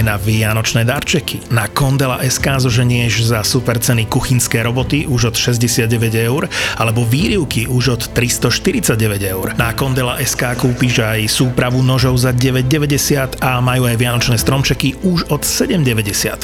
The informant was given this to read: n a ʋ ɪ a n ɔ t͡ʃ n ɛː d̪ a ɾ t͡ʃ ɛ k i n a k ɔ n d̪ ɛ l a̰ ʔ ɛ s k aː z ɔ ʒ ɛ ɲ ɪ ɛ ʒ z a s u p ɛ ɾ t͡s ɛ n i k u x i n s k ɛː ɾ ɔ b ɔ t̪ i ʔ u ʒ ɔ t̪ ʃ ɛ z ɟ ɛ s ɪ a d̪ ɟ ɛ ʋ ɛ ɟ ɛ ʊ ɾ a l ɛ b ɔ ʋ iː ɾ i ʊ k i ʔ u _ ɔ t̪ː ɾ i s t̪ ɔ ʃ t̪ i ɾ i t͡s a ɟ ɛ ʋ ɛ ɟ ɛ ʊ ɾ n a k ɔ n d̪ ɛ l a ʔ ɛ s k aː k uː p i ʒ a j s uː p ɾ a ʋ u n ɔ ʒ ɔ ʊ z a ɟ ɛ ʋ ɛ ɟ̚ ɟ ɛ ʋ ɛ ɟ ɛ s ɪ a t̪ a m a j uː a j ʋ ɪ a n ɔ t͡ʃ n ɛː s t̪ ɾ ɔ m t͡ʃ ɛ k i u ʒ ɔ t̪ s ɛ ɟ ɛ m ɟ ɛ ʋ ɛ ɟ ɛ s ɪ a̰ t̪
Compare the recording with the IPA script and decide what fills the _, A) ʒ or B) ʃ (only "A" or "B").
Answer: A